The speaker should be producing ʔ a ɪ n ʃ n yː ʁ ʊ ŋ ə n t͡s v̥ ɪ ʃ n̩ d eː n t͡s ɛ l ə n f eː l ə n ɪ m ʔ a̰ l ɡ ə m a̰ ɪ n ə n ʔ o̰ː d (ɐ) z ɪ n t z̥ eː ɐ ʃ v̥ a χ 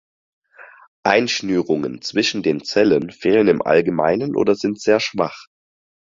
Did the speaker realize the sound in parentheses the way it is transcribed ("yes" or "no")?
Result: yes